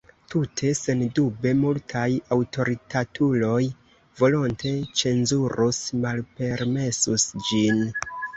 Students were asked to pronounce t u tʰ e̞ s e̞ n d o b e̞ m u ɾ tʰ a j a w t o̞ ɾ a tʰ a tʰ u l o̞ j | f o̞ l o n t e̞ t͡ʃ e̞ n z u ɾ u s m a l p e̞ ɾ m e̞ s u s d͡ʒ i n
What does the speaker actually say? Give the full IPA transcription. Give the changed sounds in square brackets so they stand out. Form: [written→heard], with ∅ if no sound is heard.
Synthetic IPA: t u tʰ e̞ s e̞ n d [o→u] b e̞ m u [ɾ→l] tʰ a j a w t o̞ ɾ [a→i] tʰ a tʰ u l o̞ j | [f→v] o̞ l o n t e̞ t͡ʃ e̞ n z u ɾ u s m a l p e̞ ɾ m e̞ s u s d͡ʒ i n